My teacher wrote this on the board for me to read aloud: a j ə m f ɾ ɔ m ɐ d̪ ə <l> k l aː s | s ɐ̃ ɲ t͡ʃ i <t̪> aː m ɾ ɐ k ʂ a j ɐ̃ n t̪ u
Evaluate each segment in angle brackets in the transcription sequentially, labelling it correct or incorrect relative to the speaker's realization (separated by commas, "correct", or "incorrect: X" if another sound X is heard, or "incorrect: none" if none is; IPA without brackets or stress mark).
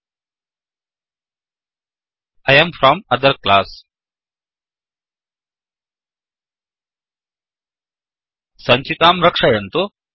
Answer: incorrect: ɾ, correct